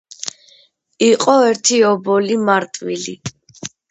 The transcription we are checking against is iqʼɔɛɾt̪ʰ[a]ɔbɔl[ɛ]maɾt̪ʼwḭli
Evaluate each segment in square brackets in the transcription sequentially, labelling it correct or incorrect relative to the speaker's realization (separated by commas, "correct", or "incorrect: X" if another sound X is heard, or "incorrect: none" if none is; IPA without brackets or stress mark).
incorrect: i, incorrect: i